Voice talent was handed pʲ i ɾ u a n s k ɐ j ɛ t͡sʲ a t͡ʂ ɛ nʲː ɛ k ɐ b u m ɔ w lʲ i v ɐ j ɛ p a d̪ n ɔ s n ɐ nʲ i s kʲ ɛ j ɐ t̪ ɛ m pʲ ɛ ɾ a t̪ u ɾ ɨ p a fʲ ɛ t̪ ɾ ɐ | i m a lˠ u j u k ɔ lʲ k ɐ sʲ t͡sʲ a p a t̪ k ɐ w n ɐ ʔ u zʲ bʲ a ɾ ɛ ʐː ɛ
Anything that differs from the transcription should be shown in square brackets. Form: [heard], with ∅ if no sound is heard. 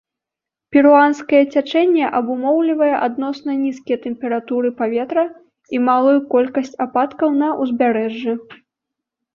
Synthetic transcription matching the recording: pʲ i ɾ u a n s k ɐ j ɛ t͡sʲ a t͡ʂ ɛ nʲː ɛ [ʔ] ɐ b u m ɔ w lʲ i v ɐ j ɛ [ʔ] a d̪ n ɔ s n ɐ nʲ i s kʲ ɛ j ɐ t̪ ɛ m pʲ ɛ ɾ a t̪ u ɾ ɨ p a [vʲ] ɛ t̪ ɾ ɐ | i m a lˠ u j u k ɔ lʲ k ɐ sʲ t͡sʲ a p a t̪ k ɐ w n ɐ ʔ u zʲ bʲ a ɾ ɛ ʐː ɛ